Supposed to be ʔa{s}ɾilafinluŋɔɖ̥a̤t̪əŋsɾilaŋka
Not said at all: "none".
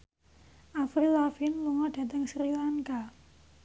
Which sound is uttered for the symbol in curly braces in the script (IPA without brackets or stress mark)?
f